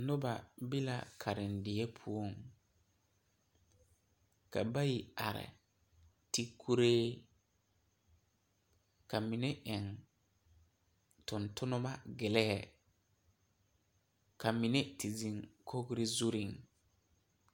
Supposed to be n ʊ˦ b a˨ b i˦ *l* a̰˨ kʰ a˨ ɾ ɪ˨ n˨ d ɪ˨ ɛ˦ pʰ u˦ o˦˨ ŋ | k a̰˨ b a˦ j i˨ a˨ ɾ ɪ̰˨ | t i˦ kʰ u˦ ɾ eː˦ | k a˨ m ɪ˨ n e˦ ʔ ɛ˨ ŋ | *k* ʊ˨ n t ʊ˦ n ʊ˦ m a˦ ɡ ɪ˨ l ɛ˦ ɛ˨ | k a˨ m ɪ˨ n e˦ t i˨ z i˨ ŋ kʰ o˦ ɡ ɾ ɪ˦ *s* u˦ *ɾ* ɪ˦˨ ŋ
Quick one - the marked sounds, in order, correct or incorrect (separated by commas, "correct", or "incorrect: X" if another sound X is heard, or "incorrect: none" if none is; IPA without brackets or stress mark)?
correct, incorrect: t, incorrect: z, correct